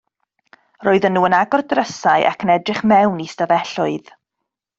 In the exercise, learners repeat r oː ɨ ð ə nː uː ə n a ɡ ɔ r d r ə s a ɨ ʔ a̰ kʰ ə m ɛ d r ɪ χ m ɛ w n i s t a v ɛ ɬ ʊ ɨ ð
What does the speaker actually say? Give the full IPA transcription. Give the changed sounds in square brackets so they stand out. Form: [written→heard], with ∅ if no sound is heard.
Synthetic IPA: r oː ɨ ð ə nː uː ə n a ɡ ɔ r d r ə s a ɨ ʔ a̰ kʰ ə [m→n] ɛ d r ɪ χ m ɛ w n i s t a v ɛ ɬ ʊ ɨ ð